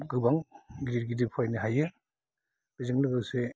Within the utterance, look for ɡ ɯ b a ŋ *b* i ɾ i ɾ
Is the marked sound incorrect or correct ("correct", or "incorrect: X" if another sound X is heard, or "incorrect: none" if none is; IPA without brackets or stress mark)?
incorrect: ɡ